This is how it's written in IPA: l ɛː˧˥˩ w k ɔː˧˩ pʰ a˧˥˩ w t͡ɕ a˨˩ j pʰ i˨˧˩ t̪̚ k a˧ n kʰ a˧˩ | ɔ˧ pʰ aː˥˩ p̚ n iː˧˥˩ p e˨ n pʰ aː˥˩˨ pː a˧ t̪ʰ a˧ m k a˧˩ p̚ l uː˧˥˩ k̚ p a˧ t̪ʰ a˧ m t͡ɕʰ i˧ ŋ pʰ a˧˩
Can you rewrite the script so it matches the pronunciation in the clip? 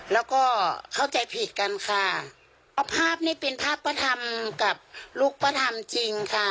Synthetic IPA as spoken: l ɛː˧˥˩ w k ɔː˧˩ kʰ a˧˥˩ w t͡ɕ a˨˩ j pʰ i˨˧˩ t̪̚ k a˧ n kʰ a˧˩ | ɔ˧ pʰ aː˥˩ p̚ n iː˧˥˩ p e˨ n pʰ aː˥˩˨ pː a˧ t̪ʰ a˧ m k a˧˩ p̚ l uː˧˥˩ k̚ p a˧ t̪ʰ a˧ m t͡ɕ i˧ ŋ kʰ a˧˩